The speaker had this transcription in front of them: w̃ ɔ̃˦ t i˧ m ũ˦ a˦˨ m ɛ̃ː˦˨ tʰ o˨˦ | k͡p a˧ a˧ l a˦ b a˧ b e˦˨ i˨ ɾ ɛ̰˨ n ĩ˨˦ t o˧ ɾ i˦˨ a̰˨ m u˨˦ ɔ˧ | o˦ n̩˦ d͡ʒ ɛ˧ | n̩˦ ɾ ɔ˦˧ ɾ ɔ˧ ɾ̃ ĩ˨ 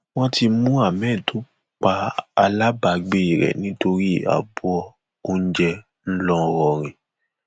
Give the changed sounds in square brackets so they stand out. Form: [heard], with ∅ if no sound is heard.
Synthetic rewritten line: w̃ ɔ̃˦ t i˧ m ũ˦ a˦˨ m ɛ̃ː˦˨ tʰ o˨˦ | k͡p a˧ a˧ l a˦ b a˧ [ɡ͡b] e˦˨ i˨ ɾ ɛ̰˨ n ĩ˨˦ t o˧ ɾ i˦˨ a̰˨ [b] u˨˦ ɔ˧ | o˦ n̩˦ d͡ʒ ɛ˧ | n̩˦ [l] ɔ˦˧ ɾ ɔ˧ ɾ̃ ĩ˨